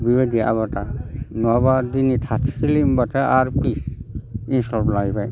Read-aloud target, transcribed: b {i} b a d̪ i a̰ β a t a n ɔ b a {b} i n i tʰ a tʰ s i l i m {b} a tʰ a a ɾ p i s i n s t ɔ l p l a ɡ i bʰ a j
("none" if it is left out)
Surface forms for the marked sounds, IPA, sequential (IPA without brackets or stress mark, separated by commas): i, d, b